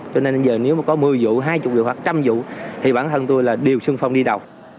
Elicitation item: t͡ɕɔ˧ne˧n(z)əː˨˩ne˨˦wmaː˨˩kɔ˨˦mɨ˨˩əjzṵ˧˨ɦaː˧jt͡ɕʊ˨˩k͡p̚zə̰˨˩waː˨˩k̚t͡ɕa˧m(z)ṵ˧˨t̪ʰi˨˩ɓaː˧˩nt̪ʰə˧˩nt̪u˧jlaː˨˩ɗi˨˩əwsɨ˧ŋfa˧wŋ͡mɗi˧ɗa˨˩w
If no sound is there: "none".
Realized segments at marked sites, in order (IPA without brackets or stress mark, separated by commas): z, z